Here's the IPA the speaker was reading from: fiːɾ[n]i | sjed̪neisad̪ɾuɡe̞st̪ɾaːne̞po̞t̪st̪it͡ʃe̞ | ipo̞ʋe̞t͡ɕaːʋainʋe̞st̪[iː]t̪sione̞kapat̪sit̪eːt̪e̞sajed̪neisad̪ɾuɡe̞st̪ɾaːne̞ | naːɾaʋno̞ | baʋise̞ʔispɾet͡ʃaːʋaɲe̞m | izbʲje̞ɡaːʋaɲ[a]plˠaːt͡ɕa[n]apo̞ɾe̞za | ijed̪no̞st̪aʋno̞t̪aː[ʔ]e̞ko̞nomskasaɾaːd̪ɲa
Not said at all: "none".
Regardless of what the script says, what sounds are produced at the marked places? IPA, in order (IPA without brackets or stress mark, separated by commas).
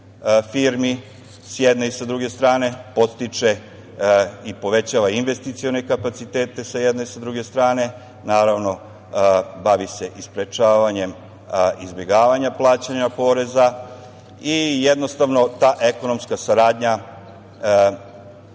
m, i, a, ɲ, ʔ